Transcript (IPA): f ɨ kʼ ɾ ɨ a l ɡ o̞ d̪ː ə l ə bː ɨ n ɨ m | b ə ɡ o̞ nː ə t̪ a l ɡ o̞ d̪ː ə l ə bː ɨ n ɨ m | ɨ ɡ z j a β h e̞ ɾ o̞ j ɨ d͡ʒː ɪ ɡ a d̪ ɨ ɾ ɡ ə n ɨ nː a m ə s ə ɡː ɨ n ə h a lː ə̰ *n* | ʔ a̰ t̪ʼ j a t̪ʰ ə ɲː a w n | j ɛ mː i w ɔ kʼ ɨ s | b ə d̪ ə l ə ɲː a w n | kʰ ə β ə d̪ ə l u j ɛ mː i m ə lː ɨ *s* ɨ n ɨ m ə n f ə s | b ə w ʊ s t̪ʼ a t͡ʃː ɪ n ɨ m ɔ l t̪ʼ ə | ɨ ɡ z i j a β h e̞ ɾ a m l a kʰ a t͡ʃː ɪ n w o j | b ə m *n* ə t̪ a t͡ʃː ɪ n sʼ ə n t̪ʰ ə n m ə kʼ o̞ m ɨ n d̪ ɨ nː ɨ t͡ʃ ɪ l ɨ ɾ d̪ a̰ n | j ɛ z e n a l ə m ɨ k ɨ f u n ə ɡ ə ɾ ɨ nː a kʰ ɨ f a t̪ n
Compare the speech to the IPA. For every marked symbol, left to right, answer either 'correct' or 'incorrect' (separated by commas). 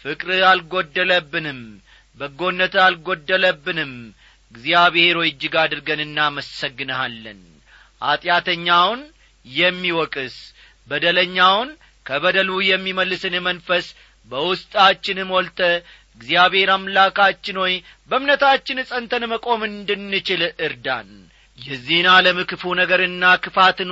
correct, correct, correct